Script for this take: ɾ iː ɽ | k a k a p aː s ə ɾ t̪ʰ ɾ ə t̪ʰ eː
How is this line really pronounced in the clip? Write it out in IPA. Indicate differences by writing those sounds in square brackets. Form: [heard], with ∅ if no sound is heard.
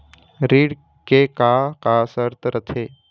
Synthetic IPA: ɾ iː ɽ | k [e] k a [k] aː s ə ɾ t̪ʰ ɾ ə t̪ʰ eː